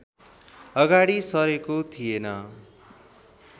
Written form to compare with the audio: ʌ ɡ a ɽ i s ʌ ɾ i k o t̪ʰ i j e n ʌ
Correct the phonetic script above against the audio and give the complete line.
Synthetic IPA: ʌ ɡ a ɽ i s ʌ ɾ e k o t̪ʰ i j e n ʌ

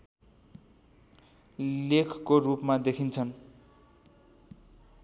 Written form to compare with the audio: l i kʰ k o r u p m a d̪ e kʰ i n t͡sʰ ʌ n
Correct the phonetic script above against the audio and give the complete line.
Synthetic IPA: l e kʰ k o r u p m a d̪ e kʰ i n t͡sʰ ʌ n

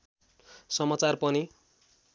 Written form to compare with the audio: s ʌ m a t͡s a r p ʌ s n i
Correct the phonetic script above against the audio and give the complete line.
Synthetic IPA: s ʌ m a t͡s a r p ʌ n i

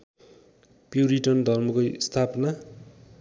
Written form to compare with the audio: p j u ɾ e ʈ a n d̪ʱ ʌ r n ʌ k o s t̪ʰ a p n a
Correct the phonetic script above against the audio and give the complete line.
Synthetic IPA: p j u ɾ i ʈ ʌ n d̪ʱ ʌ r m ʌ k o s t̪ʰ a p n a

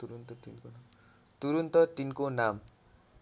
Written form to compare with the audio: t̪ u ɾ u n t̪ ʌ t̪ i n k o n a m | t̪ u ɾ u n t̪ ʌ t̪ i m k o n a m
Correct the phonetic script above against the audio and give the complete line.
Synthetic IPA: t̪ u ɾ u n t̪ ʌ t̪ i n k o n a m | t̪ u ɾ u n t̪ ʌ t̪ i n k o n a m

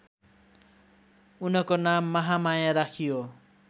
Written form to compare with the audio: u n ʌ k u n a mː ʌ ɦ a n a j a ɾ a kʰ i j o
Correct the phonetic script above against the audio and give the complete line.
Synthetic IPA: u n ʌ k o n a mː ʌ ɦ a m a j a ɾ a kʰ i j o

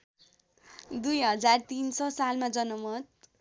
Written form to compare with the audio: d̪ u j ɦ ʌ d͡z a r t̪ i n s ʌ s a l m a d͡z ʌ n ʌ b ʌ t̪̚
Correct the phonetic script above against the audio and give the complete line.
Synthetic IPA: d̪ u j ɦ ʌ d͡z a r t̪ i n s ʌ s a l m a d͡z ʌ n ʌ m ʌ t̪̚

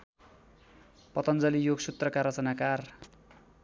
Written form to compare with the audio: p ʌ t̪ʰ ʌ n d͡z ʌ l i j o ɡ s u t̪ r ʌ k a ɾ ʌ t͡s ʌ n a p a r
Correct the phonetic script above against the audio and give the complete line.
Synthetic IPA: p ʌ t̪ ʌ n d͡z ʌ l i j o ɡ s u t̪ r ʌ k a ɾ ʌ t͡s ʌ n a k a r

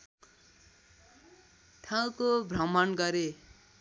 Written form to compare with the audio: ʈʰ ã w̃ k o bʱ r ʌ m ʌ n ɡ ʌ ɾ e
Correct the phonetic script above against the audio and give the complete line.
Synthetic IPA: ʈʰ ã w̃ k o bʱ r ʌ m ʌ n ɡ ʌ ɾ e

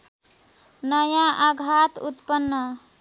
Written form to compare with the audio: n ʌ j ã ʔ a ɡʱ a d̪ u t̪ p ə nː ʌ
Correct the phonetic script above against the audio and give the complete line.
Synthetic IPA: n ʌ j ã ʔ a ɡʱ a t̪ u t̪ p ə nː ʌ

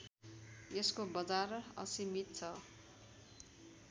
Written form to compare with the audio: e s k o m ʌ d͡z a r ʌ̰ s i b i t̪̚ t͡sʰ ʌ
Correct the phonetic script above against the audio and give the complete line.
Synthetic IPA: e s k o b ʌ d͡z a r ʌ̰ s i m i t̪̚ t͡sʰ ʌ

